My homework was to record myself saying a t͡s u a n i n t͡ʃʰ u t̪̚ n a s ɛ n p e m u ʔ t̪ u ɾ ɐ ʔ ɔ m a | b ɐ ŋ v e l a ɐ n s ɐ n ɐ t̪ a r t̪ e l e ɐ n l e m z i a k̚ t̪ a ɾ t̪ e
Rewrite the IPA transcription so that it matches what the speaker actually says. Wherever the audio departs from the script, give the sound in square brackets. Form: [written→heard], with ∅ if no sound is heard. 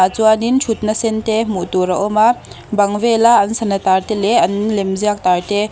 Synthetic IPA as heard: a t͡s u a n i n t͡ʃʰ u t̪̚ n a s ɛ n [p→t] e m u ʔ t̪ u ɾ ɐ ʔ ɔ m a | b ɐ ŋ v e l a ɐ n s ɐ n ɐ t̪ a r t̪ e l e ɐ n l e m z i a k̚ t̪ a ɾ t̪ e